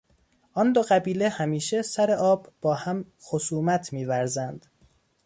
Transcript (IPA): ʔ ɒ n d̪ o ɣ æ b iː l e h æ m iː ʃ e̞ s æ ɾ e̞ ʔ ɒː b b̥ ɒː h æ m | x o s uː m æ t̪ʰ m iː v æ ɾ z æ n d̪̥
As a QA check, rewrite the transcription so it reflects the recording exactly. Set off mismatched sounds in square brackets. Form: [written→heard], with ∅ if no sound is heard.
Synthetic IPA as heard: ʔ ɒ n d̪ o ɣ æ b iː l e h æ m iː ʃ e̞ s æ ɾ e̞ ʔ ɒː b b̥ ɒː h æ m | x o s uː m æ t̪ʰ m iː v æ ɾ z æ n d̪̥

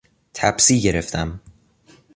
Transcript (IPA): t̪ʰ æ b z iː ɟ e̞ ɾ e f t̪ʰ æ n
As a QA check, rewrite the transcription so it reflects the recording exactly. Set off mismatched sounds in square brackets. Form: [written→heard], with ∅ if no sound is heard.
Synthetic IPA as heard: t̪ʰ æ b [z→s] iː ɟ e̞ ɾ e f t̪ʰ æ [n→m]

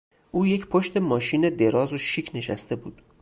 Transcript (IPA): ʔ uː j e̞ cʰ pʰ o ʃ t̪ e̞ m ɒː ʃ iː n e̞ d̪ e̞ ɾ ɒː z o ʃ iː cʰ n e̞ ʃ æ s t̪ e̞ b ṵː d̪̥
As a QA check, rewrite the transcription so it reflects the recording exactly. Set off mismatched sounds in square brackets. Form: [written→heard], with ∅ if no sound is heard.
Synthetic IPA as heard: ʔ uː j e̞ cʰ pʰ o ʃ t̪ e̞ m ɒː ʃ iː n e̞ d̪ e̞ ɾ ɒː z o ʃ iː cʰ n e̞ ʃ æ s t̪ e̞ b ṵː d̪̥

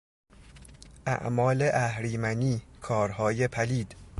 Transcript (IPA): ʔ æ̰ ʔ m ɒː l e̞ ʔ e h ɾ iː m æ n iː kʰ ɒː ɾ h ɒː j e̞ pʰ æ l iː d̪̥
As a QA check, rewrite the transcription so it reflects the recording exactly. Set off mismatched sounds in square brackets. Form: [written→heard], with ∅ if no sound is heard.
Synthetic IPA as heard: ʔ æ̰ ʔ m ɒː l e̞ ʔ [e→æ] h ɾ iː m æ n iː kʰ ɒː ɾ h ɒː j e̞ pʰ æ l iː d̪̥

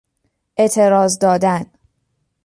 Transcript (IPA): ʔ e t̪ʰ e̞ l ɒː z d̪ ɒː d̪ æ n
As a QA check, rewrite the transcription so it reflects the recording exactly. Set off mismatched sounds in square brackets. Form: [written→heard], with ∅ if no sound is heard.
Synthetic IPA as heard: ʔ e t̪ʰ e̞ [l→ɾ] ɒː z d̪ ɒː d̪ æ n

